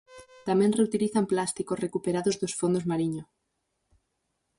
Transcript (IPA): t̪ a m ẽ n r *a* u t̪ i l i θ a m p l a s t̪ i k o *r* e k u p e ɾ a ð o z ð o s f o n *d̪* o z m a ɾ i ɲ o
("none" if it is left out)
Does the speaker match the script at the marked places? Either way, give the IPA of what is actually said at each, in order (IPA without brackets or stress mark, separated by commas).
e, r, d̪